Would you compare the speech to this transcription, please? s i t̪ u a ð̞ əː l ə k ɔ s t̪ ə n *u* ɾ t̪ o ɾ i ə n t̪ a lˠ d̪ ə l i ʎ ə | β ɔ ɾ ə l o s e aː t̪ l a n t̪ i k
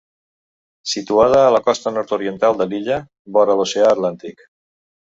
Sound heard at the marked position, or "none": ɔ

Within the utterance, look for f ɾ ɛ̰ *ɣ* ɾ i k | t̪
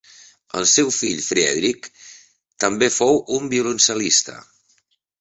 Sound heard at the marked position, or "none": ð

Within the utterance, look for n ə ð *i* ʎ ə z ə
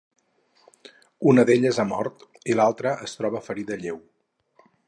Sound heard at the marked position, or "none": e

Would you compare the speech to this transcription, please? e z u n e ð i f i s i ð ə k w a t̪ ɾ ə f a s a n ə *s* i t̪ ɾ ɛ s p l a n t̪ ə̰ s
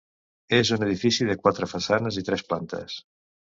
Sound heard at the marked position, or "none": z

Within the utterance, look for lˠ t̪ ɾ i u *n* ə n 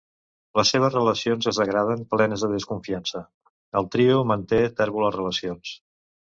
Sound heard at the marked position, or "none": m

